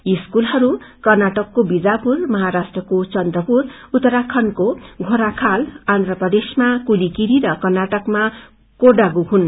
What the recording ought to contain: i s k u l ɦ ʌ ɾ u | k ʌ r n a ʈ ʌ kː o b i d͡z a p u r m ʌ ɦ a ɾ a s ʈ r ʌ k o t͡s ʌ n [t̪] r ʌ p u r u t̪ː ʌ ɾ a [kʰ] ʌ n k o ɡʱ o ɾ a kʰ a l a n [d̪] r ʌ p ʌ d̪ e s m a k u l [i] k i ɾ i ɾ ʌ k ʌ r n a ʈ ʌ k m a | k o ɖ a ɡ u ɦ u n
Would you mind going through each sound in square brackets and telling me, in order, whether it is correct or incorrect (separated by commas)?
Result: incorrect, correct, correct, correct